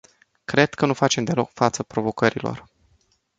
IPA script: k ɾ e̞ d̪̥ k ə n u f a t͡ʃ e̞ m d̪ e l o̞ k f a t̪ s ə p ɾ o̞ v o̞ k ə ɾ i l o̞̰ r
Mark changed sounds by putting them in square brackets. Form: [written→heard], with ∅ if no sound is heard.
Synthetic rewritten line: k ɾ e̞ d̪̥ k ə n u f a t͡ʃ e̞ m d̪ e l o̞ k f a t̪ s ə p ɾ o̞ v o̞ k ə ɾ i l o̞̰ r